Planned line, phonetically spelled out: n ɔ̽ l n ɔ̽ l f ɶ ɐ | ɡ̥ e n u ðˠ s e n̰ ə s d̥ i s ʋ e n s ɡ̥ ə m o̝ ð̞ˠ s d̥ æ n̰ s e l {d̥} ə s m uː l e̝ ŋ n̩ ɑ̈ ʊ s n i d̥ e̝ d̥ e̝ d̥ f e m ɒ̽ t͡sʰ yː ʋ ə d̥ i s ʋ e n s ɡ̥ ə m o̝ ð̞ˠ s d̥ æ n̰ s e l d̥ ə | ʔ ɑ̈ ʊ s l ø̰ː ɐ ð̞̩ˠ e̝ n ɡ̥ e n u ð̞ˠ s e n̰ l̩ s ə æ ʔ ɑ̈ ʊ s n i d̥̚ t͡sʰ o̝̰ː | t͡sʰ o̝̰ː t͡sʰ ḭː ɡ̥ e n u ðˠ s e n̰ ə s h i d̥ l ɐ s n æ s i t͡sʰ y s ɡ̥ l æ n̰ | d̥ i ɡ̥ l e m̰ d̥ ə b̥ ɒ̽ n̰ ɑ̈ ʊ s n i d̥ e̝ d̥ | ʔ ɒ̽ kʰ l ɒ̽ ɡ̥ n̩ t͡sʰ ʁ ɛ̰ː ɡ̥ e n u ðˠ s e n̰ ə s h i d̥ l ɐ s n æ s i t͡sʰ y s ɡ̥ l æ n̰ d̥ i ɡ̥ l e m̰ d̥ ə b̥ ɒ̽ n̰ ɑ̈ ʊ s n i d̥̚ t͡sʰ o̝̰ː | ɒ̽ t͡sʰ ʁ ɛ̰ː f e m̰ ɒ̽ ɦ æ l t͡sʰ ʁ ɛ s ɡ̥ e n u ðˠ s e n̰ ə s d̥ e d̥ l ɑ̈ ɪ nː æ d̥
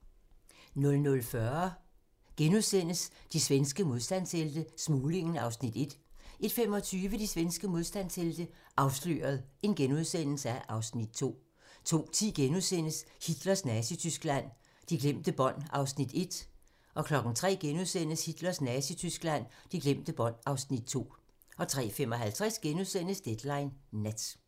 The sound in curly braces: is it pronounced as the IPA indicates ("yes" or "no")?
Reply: yes